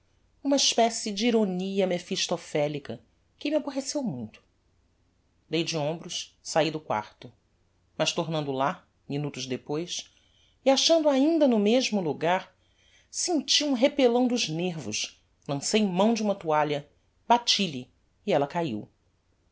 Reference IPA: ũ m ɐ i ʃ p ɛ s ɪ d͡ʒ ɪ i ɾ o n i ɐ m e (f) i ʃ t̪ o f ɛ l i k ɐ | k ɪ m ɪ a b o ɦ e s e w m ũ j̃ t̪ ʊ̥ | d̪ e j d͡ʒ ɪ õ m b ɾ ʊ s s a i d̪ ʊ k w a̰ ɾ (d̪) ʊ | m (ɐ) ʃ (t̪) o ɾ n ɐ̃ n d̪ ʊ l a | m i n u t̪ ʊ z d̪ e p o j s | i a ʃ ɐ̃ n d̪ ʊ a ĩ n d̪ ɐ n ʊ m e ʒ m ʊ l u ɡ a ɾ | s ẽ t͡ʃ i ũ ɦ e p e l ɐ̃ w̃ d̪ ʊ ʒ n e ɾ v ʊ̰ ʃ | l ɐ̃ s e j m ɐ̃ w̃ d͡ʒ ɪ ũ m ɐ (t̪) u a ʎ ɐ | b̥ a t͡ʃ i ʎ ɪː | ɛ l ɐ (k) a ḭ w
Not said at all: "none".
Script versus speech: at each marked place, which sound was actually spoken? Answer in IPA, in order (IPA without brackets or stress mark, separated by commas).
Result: f, t̪, ɐ, t̪, t̪, k